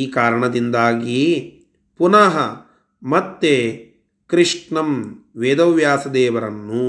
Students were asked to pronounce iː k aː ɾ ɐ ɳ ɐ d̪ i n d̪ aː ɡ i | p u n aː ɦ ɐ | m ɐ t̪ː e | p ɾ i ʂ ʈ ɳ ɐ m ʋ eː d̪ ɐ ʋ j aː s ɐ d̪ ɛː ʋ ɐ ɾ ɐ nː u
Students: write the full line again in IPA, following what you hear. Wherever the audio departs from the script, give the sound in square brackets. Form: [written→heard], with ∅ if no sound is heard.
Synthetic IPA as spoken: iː k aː ɾ ɐ ɳ ɐ d̪ i n d̪ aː ɡ i | p u n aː ɦ ɐ | m ɐ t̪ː e | [p→k] ɾ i ʂ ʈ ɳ ɐ m ʋ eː d̪ ɐ ʋ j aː s ɐ d̪ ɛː ʋ ɐ ɾ ɐ nː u